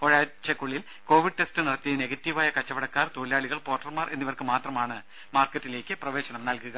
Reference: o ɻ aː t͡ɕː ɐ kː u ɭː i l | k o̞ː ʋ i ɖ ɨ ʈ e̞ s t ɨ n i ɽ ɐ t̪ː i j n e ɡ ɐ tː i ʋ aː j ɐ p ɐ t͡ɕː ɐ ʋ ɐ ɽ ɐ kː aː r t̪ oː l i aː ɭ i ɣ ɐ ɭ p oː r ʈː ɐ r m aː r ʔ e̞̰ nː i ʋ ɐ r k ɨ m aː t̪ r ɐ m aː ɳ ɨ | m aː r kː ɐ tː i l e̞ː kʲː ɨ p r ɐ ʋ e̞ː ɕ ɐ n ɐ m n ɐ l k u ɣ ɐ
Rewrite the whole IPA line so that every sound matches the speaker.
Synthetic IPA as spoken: o ɻ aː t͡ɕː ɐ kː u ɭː i l | k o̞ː ʋ i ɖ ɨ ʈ e̞ s t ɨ n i ɽ ɐ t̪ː i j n e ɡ ɐ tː i ʋ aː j ɐ k ɐ t͡ɕː ɐ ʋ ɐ ɽ ɐ kː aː r t̪ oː l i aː ɭ i ɣ ɐ ɭ p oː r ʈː ɐ r m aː r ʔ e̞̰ nː i ʋ ɐ r k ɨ m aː t̪ r ɐ m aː ɳ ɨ | m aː r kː ɐ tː i l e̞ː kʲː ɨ p r ɐ ʋ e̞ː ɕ ɐ n ɐ m n ɐ l k u ɣ ɐ